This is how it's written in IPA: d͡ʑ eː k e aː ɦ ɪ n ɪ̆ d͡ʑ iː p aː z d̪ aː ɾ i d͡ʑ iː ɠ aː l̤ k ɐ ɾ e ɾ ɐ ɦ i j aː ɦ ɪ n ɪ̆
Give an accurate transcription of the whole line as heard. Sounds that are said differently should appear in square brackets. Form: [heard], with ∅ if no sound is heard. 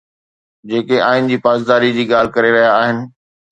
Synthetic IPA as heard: d͡ʑ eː k e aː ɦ ɪ n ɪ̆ d͡ʑ iː p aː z d̪ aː ɾ i d͡ʑ iː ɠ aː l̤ k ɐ ɾ e ɾ ɐ ɦ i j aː ɦ ɪ n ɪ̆